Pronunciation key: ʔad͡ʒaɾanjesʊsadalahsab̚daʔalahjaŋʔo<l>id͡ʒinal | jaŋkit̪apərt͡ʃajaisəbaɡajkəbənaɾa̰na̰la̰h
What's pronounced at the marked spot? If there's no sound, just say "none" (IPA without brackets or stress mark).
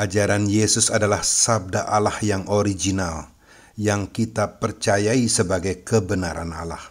ɾ